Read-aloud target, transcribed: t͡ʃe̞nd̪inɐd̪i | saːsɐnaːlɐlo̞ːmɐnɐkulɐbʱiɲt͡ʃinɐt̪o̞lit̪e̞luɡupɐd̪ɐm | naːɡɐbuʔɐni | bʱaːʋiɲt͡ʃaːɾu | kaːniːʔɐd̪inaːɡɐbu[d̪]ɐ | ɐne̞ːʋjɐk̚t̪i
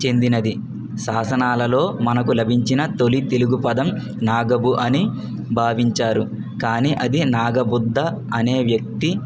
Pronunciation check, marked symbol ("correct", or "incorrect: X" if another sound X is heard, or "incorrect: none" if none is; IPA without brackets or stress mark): incorrect: d̪ː